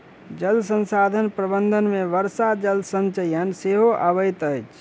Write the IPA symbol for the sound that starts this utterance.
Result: d͡ʒ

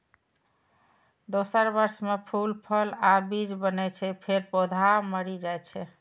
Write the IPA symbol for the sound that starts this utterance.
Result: d̪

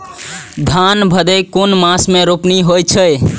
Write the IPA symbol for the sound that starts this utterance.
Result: d̪ʱ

